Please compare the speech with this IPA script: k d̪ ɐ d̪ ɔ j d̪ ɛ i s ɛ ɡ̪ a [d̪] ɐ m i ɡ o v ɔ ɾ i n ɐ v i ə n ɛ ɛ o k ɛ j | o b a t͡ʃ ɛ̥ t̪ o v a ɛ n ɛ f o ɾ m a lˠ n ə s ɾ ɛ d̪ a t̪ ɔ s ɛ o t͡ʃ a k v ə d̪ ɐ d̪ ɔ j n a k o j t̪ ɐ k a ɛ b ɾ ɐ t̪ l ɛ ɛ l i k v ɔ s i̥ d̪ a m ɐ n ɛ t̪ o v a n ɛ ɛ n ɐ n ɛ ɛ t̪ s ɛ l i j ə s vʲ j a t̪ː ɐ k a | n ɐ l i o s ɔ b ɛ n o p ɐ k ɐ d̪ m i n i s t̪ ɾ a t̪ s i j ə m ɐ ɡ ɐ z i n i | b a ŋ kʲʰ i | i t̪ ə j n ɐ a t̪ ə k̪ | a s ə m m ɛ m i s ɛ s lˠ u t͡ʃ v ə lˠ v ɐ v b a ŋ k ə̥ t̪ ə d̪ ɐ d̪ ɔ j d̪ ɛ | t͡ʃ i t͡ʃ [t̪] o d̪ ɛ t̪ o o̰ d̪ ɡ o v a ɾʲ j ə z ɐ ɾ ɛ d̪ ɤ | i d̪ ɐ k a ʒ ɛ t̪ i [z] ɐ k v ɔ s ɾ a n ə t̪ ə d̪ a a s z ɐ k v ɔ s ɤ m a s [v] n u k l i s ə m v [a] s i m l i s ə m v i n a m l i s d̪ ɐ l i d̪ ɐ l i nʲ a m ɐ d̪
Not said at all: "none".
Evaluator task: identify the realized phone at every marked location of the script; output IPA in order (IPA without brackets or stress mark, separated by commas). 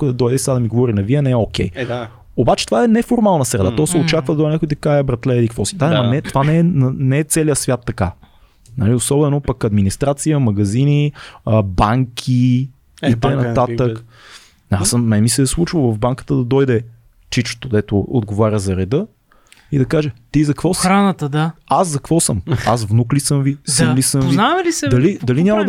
d̪, t̪, z, v, i